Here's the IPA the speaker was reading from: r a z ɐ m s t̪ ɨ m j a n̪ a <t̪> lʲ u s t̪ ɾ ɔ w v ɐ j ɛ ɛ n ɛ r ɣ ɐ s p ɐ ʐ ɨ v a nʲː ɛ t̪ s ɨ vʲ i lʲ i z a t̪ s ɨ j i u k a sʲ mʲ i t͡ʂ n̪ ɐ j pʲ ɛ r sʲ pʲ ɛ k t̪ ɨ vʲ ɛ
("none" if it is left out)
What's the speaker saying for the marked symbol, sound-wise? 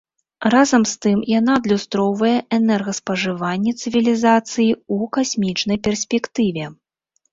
d̪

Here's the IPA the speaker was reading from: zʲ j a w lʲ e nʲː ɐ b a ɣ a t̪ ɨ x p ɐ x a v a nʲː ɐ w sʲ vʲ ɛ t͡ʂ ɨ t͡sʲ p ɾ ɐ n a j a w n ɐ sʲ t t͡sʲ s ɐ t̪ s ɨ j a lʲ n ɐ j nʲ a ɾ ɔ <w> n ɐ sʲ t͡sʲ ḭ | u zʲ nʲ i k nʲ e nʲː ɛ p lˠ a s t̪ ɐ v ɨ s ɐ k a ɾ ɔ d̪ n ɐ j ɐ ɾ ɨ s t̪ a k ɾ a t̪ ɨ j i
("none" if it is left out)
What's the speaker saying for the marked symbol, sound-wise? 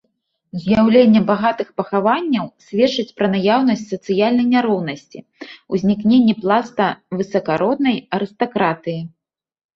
w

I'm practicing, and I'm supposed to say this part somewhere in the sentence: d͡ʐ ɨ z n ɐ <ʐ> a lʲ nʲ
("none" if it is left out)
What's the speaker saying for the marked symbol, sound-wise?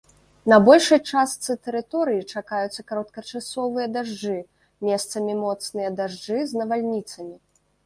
v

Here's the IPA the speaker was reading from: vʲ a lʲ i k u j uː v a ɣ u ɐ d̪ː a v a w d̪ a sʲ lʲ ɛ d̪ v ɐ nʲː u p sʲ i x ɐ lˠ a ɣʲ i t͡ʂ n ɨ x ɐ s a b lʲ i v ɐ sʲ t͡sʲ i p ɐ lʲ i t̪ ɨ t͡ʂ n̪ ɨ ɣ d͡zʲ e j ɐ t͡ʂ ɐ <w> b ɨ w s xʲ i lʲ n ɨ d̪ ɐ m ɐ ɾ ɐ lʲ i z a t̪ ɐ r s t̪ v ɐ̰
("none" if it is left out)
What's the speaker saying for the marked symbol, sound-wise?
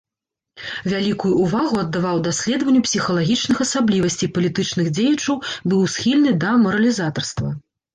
w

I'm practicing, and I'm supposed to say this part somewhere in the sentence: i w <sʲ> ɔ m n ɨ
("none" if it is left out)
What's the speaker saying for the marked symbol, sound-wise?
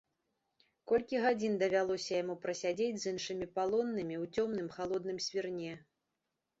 t͡sʲ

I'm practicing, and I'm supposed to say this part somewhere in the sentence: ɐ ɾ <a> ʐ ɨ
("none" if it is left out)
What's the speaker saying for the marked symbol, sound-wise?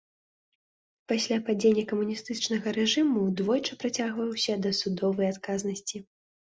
ɛ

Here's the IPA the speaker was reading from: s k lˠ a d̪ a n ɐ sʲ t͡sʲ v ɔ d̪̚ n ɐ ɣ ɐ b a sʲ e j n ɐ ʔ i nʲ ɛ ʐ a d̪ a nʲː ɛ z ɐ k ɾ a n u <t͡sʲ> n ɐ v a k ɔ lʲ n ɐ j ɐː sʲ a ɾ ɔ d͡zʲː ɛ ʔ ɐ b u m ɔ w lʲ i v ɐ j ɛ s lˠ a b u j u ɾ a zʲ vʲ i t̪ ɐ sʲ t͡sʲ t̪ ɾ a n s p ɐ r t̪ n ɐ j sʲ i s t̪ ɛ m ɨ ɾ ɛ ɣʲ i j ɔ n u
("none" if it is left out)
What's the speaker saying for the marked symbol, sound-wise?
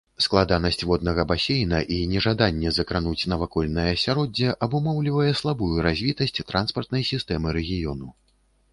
t͡sʲ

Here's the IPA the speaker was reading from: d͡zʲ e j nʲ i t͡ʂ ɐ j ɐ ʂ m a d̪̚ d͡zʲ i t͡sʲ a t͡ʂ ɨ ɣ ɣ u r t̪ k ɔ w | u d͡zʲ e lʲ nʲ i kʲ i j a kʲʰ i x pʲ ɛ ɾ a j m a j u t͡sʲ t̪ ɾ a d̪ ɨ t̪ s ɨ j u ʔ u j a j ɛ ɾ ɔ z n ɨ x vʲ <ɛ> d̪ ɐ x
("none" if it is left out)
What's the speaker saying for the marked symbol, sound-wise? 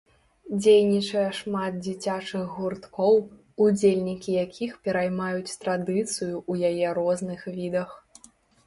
i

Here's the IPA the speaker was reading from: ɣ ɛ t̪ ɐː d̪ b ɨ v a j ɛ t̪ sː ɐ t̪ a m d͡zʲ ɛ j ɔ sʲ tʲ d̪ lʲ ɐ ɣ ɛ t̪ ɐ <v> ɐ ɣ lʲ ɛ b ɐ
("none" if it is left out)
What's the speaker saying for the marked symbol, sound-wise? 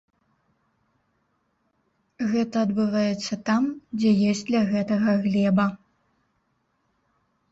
ɣ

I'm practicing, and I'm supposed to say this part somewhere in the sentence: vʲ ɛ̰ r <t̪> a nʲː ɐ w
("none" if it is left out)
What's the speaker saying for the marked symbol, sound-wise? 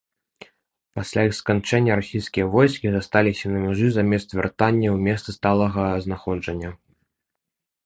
t̪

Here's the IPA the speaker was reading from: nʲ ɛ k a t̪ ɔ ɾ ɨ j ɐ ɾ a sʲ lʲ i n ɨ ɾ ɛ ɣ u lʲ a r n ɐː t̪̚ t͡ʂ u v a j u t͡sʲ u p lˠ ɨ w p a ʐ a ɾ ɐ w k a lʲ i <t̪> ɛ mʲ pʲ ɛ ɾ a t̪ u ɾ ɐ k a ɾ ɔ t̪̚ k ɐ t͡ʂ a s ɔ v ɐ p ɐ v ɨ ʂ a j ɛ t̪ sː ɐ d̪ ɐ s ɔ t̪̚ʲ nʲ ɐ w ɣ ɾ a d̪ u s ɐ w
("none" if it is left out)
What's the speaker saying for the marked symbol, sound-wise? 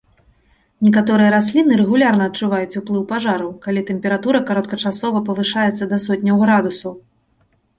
t̪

